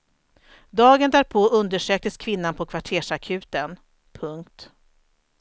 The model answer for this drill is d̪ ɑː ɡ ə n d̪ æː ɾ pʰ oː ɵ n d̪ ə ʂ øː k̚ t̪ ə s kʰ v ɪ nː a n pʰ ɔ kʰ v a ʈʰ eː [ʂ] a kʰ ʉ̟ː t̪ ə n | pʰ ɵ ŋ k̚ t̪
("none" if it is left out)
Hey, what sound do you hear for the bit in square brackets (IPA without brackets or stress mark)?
ʂ